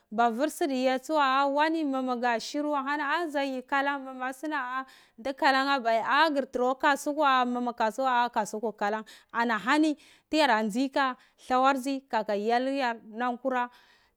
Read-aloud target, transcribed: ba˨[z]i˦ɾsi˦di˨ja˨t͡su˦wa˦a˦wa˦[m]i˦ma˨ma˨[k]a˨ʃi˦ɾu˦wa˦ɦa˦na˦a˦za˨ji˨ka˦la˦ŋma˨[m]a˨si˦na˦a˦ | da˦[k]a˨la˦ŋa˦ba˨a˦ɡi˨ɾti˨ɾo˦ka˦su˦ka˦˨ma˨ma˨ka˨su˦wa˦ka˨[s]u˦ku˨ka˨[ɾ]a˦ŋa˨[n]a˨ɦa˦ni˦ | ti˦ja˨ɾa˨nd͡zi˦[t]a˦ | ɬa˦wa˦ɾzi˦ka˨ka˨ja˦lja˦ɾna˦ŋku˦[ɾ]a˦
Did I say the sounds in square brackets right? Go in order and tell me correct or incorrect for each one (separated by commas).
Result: incorrect, incorrect, incorrect, correct, correct, correct, incorrect, correct, incorrect, correct